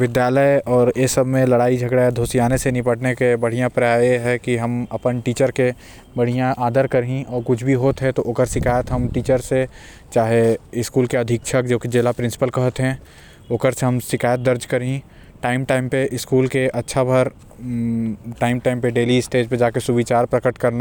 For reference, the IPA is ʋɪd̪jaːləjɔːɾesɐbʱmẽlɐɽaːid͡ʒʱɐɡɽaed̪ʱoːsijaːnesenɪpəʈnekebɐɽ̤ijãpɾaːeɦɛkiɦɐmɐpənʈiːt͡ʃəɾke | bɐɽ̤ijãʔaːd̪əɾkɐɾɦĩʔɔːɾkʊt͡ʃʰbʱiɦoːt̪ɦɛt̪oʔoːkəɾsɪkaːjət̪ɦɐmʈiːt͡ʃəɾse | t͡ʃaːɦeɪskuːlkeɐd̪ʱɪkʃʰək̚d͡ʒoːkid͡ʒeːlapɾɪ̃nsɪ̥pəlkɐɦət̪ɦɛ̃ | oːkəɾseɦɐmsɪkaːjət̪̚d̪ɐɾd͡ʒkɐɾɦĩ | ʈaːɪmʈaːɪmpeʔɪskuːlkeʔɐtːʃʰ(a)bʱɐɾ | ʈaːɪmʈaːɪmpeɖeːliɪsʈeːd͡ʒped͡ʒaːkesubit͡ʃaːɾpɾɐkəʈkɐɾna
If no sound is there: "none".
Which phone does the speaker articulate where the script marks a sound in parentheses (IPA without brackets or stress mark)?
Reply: a